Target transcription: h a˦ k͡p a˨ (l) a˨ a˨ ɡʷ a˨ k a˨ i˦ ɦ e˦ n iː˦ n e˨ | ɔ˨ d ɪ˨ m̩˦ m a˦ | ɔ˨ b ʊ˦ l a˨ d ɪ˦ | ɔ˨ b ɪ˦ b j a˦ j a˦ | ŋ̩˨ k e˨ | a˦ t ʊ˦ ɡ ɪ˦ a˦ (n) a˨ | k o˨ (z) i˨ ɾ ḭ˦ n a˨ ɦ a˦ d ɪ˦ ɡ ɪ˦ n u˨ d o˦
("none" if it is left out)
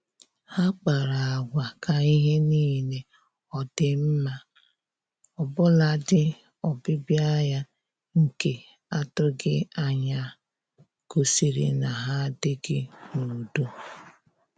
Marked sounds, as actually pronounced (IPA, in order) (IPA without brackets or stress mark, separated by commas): ɾ, ɲ, s